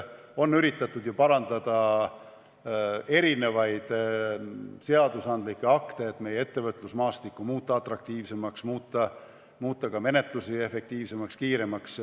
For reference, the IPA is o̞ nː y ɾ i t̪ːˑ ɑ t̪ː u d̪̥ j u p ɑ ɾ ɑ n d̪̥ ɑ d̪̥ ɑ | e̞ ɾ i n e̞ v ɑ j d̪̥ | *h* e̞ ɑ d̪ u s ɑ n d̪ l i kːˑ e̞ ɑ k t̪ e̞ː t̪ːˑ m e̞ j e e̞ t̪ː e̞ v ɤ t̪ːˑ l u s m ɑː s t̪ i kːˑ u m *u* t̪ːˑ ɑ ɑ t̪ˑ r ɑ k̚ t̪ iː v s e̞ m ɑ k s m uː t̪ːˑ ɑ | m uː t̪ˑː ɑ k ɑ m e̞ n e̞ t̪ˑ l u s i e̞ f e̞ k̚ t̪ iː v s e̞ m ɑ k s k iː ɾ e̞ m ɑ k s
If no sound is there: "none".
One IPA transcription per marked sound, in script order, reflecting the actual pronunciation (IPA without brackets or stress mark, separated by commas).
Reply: s, uː